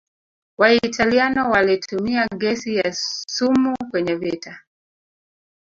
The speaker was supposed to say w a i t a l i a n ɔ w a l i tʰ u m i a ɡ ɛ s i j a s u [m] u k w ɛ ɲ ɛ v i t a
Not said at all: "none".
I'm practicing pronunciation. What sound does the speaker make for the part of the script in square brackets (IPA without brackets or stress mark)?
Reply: m